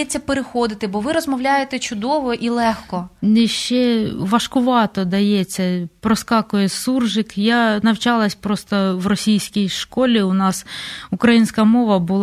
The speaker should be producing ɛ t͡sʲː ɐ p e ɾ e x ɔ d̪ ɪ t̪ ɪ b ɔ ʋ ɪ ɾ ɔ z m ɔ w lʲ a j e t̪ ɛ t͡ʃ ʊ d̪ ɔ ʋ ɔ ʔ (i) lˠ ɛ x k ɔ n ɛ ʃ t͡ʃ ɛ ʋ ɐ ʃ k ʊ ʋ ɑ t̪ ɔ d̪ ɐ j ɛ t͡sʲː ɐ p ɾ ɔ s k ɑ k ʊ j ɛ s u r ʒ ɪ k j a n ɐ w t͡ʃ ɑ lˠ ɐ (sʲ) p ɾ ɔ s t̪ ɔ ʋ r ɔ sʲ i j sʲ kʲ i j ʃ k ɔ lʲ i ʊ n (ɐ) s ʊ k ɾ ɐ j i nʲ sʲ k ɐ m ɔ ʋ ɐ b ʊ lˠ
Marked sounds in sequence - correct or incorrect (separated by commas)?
correct, correct, incorrect